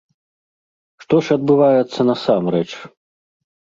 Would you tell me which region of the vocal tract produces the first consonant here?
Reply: retroflex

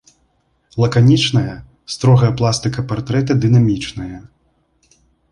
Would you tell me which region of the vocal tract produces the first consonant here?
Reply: tongue tip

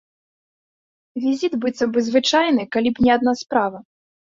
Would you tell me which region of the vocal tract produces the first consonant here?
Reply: lips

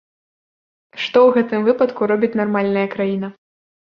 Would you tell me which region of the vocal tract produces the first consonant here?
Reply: retroflex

